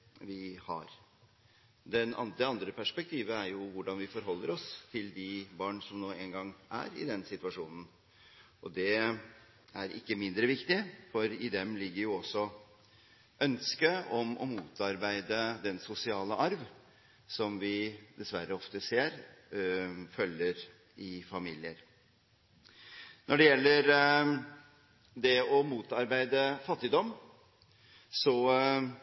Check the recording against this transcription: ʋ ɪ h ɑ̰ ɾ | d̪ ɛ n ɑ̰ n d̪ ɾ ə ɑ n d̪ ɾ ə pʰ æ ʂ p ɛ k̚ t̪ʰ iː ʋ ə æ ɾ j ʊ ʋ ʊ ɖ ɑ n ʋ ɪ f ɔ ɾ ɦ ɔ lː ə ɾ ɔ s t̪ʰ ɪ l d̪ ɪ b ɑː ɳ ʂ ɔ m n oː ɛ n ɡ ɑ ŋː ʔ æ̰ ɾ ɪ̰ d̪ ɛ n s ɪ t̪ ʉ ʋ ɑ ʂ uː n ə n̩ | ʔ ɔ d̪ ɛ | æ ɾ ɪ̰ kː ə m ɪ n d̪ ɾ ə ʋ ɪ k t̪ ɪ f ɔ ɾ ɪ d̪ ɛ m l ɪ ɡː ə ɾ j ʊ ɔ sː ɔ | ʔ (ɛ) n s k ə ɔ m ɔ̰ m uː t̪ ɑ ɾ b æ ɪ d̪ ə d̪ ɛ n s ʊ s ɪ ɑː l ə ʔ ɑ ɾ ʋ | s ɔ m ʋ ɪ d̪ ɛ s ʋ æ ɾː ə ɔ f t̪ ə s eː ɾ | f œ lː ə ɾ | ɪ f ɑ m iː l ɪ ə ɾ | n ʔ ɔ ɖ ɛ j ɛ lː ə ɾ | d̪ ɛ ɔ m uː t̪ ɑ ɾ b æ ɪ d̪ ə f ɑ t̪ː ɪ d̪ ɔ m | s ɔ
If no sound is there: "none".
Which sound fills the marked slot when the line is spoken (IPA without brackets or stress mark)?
œ